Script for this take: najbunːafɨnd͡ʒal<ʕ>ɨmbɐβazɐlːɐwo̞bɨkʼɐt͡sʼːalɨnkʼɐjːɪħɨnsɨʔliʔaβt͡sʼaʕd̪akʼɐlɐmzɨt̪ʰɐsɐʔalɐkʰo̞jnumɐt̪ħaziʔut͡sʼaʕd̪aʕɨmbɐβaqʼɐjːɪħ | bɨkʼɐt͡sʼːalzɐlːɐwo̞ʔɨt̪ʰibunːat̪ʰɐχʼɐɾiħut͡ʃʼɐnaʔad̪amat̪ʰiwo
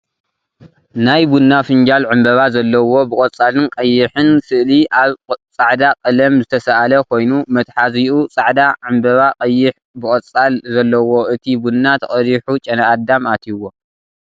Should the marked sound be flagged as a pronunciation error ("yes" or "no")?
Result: no